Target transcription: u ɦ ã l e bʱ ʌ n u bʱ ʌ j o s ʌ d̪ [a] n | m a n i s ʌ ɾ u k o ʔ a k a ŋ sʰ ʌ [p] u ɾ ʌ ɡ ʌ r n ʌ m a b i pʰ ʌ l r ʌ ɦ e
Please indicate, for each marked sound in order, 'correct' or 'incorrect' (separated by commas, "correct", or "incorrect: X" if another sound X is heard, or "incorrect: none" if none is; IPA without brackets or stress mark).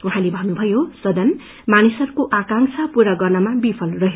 incorrect: ʌ, correct